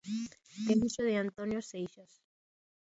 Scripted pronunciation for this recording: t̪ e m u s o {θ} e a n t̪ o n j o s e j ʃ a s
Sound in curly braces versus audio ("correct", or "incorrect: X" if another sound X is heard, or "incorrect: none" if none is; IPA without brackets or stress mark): incorrect: ð